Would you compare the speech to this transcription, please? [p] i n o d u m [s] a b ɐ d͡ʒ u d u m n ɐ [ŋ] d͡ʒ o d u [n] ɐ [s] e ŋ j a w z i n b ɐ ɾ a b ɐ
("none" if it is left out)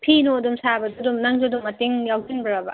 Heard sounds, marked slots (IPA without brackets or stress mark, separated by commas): pʰ, s, ŋ, m, t